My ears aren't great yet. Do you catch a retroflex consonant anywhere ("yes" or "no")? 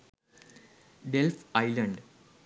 yes